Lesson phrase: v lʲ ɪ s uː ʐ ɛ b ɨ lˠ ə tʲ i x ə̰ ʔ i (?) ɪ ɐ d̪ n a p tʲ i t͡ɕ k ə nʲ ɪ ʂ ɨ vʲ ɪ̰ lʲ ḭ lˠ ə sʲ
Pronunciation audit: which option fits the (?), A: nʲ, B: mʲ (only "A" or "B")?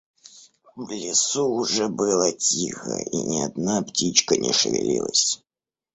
A